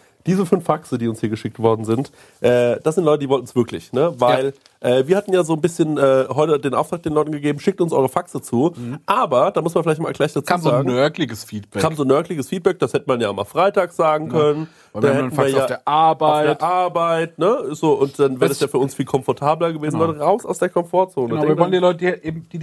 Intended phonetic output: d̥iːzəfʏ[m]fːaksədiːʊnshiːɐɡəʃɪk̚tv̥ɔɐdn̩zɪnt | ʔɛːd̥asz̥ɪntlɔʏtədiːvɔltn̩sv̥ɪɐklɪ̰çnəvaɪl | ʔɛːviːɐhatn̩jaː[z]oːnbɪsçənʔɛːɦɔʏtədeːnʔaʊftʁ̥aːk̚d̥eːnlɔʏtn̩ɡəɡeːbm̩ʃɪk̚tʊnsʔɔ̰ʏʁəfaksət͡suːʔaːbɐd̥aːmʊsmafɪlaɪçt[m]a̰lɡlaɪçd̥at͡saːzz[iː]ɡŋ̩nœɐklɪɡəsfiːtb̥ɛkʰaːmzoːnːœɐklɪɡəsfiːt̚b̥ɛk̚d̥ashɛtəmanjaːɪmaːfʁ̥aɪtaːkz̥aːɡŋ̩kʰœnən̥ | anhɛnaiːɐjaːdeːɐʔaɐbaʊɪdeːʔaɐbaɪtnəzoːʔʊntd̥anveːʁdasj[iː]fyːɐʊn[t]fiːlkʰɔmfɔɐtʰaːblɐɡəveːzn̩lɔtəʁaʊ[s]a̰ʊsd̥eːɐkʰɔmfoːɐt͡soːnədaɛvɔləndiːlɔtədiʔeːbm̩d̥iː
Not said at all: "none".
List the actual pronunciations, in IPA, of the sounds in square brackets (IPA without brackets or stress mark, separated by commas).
n, z, m, aː, aː, s, s